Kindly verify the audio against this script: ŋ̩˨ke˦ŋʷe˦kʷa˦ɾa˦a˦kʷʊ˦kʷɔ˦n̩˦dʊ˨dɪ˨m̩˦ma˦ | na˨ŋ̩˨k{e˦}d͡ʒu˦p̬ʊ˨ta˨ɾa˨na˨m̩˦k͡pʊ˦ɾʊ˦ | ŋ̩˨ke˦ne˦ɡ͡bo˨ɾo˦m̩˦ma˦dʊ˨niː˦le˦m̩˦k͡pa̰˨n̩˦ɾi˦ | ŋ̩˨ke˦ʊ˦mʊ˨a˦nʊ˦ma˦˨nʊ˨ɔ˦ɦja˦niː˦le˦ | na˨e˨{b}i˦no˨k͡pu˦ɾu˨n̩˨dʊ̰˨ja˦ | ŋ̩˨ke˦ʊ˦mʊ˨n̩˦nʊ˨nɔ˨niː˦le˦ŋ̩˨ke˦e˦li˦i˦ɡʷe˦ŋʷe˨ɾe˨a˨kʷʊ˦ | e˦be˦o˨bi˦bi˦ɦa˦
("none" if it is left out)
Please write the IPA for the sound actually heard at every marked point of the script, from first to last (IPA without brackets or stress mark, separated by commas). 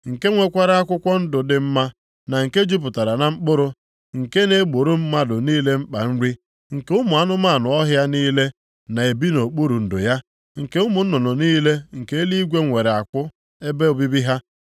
e˦, b